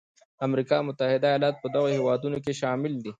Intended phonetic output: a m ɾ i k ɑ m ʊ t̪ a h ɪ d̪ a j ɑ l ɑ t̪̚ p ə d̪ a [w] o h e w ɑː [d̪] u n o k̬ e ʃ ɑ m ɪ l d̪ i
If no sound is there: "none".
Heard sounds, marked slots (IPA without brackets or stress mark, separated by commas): ɣ, d̪